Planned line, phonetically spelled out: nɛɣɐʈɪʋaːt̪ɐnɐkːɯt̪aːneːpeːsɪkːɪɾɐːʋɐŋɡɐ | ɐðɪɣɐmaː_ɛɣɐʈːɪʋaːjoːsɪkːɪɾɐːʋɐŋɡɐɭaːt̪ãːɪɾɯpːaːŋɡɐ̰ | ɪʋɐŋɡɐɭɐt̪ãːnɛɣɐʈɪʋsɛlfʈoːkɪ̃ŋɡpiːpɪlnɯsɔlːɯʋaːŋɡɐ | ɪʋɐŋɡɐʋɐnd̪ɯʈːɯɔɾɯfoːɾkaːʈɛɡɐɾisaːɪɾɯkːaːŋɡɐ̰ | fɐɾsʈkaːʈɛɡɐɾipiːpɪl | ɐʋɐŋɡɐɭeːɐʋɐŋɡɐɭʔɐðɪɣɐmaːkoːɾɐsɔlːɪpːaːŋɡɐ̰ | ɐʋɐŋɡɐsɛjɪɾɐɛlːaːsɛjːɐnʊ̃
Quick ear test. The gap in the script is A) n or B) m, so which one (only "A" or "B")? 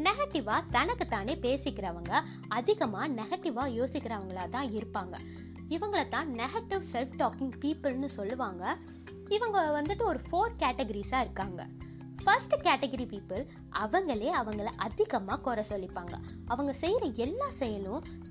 A